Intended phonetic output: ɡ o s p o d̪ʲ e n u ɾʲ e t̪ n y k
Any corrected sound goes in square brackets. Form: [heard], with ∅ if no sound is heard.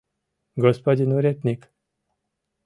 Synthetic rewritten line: ɡ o s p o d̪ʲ [i] n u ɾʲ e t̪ n [i] k